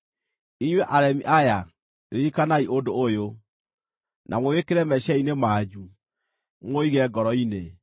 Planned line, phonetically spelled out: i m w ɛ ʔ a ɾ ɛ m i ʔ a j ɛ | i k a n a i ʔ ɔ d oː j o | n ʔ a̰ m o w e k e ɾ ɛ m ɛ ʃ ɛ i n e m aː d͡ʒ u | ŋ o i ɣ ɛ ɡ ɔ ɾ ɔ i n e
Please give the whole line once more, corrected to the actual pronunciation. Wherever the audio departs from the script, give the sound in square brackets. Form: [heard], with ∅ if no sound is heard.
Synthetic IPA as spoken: i [ɲ] w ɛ ʔ a ɾ ɛ m i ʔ a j [a] | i k a n a i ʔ [o] d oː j o | n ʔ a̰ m o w e k e ɾ ɛ m ɛ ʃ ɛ i n e m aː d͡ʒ u | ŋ o i ɣ ɛ ɡ ɔ ɾ ɔ i n e

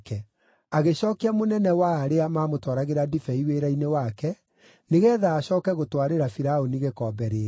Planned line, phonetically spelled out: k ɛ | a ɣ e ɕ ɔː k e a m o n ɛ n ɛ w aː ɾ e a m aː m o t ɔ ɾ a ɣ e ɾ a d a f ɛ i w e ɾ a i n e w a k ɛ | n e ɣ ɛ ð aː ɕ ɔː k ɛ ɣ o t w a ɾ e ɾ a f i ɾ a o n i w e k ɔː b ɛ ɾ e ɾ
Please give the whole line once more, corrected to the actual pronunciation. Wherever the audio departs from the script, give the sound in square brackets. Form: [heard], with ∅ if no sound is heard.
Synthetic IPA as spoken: k ɛ | a ɣ e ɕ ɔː k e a m o n ɛ n ɛ w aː ɾ e a m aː m o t ɔ ɾ a ɣ e ɾ a d [i] f ɛ i w e ɾ a i n e w a k ɛ | n e ɣ ɛ ð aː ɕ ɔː k ɛ ɣ o t w a ɾ e ɾ a f i ɾ a o n i [ɣ] e k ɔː b ɛ ɾ e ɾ

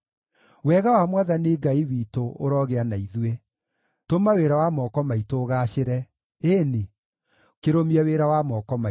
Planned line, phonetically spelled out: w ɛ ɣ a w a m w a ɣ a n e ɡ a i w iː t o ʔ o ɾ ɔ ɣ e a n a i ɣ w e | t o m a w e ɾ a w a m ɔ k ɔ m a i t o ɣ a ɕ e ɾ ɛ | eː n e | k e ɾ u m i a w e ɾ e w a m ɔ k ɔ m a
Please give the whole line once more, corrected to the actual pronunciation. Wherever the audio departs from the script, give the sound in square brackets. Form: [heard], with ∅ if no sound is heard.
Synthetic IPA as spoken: w ɛ ɣ a w a m w a [ð] a n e ɡ a i w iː t o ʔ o ɾ ɔ ɣ e a n a i [ð] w e | t o m a w e ɾ a w a m ɔ k ɔ m a i t o ɣ a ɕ e ɾ ɛ | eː n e | k e ɾ [o] m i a w e ɾ [a] w a m ɔ k ɔ m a

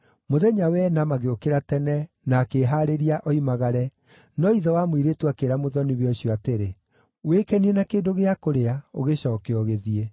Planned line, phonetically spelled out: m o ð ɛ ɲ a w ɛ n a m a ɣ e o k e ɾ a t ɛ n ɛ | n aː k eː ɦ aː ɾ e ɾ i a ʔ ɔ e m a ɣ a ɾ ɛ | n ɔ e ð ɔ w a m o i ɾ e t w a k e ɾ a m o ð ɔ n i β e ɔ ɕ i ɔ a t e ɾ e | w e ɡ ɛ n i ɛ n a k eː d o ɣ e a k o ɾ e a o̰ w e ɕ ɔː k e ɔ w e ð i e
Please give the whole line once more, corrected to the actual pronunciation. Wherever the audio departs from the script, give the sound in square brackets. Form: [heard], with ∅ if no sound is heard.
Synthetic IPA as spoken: m o ð ɛ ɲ a w ɛ n a m a ɣ e o k e ɾ a t ɛ n ɛ | n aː k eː ɦ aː ɾ e ɾ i a ʔ ɔ [i] m a ɣ a ɾ ɛ | n ɔ [i] ð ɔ w a m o i ɾ e t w a k e ɾ a m o ð ɔ n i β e ɔ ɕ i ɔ a t e ɾ e | w e [k] ɛ n i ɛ n a k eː d o ɣ e a k o ɾ e a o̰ [ɣ] e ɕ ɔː k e ɔ [ɣ] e ð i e

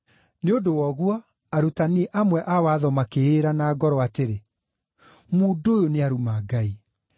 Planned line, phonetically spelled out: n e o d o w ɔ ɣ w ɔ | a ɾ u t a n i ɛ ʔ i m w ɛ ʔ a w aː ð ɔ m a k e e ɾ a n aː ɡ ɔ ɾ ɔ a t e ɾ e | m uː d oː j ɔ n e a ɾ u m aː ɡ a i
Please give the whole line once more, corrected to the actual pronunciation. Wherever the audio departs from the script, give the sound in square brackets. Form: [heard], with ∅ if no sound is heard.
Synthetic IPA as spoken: n e o d o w ɔ ɣ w ɔ | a ɾ u t a n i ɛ ʔ [a] m w ɛ ʔ a w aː ð ɔ m a k e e ɾ a n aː ɡ ɔ ɾ ɔ a t e ɾ e | m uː d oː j [o] n e a ɾ u m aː ɡ a i

